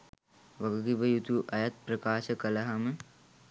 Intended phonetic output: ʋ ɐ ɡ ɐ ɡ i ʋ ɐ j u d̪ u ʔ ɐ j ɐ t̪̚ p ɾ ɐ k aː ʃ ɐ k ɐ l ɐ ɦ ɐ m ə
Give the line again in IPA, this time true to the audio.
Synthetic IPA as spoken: ʋ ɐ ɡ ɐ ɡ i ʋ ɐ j u t̪ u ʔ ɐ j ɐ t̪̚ p ɾ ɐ k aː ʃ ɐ k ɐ l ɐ ɦ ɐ m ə